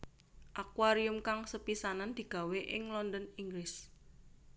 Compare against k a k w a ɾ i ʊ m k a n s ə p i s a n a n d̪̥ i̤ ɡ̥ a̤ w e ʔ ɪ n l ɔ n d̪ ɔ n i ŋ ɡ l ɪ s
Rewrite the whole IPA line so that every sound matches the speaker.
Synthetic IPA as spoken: ʔ a k w a ɾ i ʊ m k a ŋ s ə p i s a n a n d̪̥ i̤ ɡ̥ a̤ w e ʔ ɪ ŋ l ɔ n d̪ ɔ n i ŋ ɡ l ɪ s